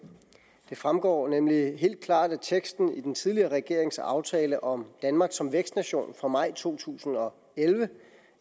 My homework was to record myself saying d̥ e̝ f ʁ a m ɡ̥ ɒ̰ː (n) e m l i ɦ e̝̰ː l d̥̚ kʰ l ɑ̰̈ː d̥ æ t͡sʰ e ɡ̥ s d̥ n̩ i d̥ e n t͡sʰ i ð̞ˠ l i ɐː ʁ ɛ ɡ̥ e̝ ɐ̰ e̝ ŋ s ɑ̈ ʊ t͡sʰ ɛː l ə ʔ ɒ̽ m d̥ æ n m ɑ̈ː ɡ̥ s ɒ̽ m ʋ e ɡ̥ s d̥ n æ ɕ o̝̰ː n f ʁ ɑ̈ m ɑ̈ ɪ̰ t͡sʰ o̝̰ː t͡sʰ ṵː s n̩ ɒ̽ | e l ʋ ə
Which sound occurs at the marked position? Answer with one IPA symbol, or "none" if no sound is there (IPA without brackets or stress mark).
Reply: n